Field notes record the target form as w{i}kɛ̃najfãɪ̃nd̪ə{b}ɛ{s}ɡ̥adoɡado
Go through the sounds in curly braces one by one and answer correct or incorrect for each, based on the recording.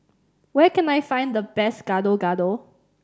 incorrect, correct, correct

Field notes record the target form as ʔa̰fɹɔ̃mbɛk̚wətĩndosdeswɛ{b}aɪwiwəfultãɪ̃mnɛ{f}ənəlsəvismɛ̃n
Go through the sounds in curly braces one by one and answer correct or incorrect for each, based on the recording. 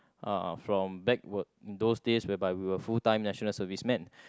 correct, incorrect

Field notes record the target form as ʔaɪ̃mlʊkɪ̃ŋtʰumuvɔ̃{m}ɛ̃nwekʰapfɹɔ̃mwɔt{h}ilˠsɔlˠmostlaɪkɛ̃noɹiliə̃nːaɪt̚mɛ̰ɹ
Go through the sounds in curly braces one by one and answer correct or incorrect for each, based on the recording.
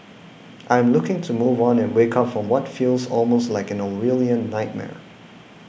incorrect, incorrect

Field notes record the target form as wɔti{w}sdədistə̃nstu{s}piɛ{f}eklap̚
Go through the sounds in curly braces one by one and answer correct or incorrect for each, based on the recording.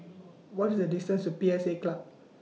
incorrect, incorrect, incorrect

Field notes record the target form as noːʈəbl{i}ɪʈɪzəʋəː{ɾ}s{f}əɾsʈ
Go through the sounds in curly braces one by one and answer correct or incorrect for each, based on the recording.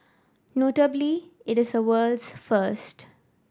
correct, incorrect, correct

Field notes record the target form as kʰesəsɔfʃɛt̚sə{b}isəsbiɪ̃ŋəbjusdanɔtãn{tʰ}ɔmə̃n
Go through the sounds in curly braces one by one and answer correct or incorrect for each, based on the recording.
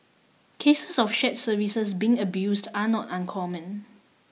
incorrect, incorrect

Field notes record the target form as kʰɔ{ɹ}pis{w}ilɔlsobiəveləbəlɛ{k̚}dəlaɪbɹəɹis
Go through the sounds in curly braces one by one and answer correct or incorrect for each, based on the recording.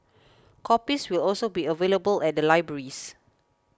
incorrect, correct, incorrect

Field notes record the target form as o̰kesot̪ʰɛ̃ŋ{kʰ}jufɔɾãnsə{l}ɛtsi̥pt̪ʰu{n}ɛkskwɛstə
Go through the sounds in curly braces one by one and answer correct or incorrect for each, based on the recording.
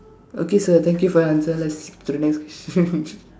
incorrect, correct, correct

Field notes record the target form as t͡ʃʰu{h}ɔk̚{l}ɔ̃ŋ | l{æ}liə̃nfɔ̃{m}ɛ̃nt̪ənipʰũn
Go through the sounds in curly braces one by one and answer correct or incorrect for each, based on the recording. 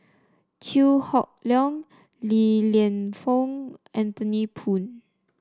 correct, correct, incorrect, incorrect

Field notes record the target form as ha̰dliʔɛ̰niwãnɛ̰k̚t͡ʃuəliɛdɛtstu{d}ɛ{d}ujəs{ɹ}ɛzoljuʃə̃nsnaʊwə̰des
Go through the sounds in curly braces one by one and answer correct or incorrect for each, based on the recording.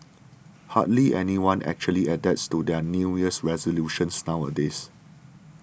correct, incorrect, correct

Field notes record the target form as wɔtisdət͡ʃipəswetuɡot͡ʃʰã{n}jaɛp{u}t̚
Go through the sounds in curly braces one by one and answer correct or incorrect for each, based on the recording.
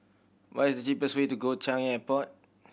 incorrect, incorrect

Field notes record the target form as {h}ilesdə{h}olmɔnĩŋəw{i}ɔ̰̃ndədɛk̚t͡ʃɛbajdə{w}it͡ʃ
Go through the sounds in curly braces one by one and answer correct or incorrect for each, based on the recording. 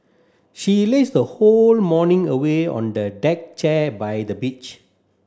incorrect, correct, incorrect, incorrect

